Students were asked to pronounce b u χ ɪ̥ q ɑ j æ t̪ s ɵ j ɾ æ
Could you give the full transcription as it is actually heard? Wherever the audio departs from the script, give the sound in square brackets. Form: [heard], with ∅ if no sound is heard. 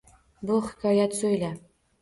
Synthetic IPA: b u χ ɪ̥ [k] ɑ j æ t̪ s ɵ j [l] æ